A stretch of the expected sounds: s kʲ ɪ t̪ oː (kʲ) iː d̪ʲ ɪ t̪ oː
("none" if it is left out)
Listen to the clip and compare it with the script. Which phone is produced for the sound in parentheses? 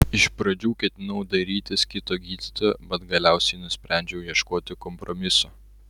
ɡʲ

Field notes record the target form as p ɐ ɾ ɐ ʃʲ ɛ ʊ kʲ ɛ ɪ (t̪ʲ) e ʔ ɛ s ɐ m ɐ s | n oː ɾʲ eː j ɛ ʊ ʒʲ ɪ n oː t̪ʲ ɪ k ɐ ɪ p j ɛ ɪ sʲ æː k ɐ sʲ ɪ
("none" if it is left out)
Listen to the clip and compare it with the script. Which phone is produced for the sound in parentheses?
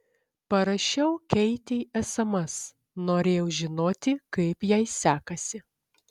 t̪ʲ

